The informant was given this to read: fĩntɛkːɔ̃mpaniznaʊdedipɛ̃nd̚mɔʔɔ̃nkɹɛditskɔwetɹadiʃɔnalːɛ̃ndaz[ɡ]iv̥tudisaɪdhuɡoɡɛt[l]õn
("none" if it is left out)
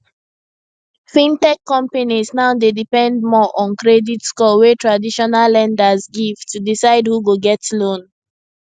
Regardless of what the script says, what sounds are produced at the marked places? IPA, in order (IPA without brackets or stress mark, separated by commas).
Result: ɡ, l